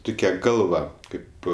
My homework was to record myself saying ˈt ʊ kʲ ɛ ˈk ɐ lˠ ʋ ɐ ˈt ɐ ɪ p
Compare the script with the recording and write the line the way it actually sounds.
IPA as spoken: ˈt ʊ kʲ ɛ ˈɡ ɐ lˠ ʋ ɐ ˈk ɐ ɪ p